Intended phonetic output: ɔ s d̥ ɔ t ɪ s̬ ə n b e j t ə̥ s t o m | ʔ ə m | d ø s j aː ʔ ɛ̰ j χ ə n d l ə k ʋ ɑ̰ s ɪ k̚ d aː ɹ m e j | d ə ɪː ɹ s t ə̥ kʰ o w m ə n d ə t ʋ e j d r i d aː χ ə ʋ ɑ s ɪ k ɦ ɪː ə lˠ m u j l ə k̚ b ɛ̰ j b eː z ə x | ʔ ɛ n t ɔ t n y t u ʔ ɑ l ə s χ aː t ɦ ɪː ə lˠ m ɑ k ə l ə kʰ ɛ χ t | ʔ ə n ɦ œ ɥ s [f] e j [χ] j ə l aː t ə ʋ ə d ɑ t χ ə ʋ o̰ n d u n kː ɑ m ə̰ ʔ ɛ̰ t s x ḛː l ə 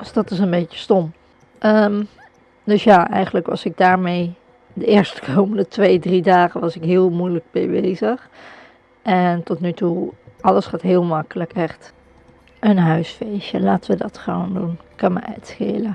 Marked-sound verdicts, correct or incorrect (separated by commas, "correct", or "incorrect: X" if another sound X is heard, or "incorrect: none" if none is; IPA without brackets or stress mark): correct, incorrect: ʃ